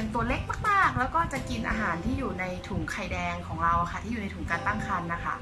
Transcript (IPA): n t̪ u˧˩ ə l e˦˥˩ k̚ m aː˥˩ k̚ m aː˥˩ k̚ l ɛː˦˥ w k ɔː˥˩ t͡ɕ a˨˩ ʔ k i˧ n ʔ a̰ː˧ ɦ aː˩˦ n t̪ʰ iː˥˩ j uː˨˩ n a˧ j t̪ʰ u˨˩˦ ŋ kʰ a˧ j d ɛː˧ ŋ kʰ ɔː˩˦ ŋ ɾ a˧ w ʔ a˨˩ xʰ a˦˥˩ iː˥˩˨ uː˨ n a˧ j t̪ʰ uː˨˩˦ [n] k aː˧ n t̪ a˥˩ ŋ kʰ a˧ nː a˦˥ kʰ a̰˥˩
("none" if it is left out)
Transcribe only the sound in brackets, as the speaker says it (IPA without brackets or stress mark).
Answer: ŋ